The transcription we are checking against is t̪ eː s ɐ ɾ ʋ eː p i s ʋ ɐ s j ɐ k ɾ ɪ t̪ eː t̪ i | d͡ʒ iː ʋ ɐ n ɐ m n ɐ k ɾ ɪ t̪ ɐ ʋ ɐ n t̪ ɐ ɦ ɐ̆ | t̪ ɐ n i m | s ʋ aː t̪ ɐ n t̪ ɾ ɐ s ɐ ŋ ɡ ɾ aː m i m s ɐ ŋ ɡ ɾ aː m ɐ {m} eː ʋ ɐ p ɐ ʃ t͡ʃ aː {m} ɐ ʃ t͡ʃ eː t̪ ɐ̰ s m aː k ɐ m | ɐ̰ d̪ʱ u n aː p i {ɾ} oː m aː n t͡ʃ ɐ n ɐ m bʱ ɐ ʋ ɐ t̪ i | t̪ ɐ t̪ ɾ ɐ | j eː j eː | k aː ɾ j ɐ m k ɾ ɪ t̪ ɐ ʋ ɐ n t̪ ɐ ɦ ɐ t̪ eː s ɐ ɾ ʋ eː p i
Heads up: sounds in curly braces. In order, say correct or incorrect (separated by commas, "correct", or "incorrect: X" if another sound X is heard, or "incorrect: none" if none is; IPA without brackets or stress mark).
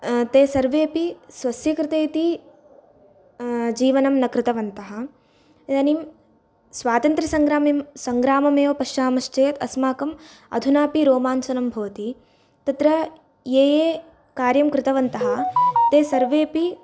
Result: correct, correct, correct